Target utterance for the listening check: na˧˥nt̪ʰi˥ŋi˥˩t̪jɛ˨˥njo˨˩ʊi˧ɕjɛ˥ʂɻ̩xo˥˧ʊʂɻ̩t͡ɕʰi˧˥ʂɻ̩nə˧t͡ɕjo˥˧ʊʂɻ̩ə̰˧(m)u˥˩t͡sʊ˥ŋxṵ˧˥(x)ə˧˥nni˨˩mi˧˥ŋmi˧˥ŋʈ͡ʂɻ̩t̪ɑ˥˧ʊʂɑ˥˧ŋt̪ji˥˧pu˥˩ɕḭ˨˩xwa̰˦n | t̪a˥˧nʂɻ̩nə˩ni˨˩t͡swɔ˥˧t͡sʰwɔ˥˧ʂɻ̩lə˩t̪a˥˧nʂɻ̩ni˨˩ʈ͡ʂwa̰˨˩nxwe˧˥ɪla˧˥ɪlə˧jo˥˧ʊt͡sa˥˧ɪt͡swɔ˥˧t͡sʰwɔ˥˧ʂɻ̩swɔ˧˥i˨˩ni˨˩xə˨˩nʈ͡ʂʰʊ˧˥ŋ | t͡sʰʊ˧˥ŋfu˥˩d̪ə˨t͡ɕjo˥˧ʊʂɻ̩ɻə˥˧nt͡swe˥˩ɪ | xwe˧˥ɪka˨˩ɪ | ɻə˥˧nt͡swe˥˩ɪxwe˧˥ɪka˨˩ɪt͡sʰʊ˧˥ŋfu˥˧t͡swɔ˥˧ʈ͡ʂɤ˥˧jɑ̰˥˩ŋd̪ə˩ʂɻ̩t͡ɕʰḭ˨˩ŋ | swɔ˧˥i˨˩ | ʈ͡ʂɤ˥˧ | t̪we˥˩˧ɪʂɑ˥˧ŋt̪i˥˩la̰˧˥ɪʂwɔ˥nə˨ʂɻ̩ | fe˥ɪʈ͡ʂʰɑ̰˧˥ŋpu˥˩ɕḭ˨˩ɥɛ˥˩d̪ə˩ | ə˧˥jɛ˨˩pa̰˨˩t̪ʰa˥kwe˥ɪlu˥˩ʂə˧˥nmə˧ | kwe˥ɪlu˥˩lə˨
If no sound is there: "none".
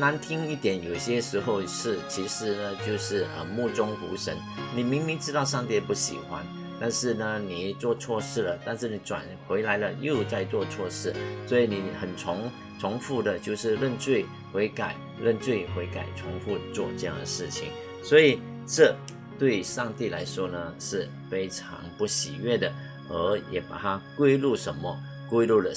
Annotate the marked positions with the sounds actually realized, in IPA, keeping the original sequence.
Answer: m, ʂ

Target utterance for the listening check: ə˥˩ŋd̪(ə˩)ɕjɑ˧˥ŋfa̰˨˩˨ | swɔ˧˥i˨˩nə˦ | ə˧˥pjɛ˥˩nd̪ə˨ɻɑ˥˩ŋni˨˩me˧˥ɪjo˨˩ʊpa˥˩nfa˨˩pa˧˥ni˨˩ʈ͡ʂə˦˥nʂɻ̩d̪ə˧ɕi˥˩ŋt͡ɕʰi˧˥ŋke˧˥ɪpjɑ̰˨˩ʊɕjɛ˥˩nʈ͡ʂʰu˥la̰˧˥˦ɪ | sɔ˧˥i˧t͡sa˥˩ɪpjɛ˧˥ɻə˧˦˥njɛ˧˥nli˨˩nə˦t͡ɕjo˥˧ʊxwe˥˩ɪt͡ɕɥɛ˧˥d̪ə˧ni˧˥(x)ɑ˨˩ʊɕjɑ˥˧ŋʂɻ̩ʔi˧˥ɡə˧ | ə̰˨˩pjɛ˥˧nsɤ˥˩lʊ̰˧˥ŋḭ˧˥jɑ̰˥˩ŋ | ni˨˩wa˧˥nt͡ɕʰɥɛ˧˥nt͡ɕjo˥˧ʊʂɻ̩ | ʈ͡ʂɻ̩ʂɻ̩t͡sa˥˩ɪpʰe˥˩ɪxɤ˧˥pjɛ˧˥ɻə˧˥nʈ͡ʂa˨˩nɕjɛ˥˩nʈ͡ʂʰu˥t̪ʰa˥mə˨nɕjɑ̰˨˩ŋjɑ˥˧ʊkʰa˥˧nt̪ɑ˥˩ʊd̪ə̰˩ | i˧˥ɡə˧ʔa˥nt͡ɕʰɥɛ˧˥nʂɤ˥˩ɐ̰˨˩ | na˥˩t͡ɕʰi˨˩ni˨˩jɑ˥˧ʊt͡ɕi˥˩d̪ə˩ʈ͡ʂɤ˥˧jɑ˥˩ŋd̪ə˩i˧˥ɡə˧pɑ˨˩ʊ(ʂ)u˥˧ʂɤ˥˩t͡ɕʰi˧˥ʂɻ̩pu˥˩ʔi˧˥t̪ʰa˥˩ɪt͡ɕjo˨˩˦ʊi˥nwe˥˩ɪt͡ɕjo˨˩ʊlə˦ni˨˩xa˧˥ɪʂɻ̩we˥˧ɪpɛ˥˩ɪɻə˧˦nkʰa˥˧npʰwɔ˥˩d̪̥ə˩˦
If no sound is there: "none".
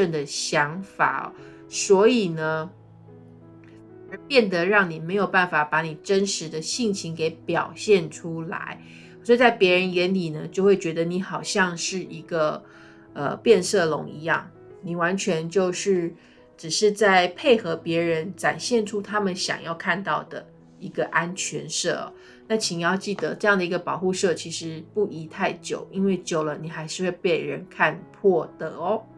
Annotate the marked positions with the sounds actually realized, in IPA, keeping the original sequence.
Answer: ə˩, x, x

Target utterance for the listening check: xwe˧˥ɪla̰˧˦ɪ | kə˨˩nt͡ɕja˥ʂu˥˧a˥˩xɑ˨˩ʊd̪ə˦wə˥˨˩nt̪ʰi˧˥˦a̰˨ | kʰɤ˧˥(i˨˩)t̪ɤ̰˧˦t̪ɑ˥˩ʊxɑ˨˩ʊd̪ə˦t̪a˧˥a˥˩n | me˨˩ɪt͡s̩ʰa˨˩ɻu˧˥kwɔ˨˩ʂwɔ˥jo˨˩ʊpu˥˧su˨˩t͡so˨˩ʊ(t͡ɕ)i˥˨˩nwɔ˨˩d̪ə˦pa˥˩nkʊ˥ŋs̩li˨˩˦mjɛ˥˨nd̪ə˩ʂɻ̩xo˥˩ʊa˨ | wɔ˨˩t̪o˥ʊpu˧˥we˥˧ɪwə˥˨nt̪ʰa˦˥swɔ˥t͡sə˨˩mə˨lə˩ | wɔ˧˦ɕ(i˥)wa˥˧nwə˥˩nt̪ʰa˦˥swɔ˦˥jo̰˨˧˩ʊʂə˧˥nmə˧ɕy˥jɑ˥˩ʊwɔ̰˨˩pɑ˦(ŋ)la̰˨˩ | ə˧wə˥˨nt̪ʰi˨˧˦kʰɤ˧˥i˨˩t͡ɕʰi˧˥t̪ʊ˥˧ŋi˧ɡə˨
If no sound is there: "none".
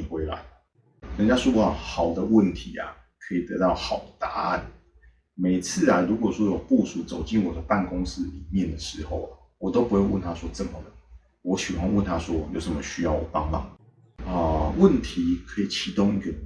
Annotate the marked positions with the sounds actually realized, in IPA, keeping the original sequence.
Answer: i˨˩, t͡ɕ, i˨˩, ŋ

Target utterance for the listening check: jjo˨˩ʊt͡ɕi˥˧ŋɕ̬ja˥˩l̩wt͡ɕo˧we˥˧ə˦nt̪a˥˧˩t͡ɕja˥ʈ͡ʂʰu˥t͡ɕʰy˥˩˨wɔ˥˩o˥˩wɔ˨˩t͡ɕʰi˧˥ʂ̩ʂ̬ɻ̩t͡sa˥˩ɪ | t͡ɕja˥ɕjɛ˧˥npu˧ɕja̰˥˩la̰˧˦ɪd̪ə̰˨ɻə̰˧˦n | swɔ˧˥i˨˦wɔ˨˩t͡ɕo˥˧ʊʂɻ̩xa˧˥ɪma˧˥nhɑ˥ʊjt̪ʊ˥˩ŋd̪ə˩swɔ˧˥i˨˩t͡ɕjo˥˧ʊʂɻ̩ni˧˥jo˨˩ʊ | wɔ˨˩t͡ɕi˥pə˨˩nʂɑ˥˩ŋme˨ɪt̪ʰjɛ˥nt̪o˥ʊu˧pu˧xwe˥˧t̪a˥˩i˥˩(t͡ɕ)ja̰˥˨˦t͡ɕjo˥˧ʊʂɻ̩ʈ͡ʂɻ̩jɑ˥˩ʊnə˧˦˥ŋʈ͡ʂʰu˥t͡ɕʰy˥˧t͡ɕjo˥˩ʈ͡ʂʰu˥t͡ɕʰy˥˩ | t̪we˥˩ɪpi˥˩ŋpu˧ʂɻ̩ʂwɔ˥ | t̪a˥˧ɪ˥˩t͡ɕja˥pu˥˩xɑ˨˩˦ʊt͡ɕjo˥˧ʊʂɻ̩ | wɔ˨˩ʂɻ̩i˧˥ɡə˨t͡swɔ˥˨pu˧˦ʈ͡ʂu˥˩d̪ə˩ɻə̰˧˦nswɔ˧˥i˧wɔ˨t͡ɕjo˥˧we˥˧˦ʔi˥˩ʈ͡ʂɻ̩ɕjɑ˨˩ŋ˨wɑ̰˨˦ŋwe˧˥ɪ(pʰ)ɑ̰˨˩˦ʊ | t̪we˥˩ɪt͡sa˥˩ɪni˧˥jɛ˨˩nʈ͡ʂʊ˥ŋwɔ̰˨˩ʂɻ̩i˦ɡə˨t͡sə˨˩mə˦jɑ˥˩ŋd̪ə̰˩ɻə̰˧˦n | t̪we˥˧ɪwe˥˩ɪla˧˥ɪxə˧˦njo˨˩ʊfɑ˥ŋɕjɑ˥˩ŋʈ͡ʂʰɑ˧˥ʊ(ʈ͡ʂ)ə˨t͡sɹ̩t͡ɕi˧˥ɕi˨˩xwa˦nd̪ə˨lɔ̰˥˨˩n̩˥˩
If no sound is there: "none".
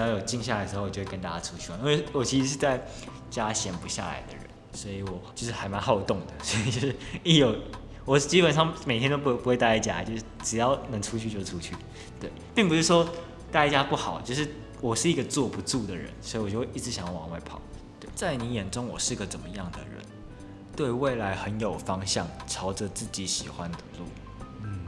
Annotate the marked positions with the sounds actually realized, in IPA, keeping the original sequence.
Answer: t͡ɕ, pʰ, ʈ͡ʂ

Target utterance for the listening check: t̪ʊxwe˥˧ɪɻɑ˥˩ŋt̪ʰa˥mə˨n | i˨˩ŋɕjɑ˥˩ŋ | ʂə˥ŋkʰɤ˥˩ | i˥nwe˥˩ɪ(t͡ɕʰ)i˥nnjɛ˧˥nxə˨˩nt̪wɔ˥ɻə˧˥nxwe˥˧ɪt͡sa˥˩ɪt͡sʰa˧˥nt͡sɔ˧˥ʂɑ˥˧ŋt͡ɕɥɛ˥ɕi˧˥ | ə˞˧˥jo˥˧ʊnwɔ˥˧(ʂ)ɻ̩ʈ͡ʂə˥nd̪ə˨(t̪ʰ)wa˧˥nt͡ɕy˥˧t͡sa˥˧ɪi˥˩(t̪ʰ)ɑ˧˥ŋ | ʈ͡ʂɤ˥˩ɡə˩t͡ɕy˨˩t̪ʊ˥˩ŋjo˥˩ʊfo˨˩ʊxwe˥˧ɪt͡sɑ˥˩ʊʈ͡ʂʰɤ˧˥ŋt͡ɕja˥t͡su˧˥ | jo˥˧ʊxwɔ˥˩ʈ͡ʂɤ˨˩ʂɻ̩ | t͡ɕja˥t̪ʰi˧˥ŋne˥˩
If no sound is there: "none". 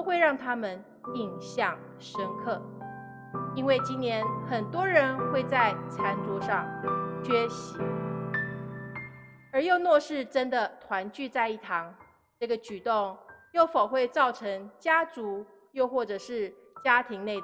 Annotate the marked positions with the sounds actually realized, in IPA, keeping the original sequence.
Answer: t͡ɕ, ʂ, t̪ʰ, t̪ʰ

